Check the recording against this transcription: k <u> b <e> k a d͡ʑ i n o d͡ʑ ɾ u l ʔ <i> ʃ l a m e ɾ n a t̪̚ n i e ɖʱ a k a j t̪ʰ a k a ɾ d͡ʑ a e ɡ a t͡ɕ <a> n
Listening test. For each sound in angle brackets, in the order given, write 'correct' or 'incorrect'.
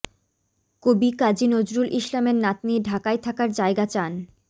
incorrect, incorrect, correct, correct

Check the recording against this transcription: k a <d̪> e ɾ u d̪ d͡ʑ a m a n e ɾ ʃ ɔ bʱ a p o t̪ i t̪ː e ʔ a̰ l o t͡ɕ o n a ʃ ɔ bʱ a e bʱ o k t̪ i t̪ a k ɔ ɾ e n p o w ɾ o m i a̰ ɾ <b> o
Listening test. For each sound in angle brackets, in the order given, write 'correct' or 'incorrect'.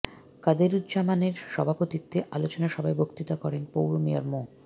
correct, incorrect

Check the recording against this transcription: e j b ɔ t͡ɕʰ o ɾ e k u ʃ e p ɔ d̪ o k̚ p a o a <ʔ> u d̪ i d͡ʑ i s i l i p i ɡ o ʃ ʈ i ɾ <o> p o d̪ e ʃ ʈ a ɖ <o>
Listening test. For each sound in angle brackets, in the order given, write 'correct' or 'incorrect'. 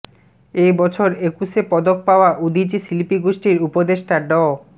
correct, incorrect, incorrect

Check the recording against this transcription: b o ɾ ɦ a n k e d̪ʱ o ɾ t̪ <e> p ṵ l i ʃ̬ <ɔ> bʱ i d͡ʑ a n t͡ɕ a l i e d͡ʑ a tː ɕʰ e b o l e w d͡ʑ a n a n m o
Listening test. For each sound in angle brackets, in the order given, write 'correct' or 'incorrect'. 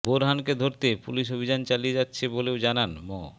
correct, incorrect

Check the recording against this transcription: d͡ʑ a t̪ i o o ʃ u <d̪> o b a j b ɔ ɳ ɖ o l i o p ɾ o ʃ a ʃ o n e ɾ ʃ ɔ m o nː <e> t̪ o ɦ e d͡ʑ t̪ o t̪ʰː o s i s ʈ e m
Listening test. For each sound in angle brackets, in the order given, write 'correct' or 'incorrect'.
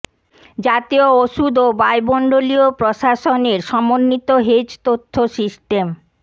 correct, incorrect

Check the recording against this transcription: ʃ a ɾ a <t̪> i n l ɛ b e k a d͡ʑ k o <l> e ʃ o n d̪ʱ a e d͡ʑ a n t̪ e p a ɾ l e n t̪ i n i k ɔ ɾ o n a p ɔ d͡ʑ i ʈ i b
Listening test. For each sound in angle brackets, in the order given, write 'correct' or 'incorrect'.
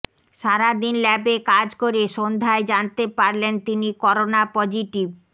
incorrect, incorrect

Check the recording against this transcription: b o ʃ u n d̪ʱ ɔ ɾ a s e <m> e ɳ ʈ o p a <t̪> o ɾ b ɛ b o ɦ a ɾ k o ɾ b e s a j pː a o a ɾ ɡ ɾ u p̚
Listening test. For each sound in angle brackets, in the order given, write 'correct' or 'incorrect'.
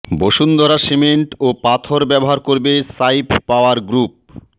correct, incorrect

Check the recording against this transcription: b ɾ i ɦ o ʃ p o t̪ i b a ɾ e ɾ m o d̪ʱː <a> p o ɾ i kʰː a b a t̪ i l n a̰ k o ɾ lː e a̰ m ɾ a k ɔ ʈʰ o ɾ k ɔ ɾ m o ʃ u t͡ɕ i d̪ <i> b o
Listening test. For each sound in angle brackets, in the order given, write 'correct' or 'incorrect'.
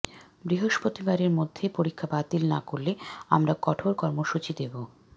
incorrect, incorrect

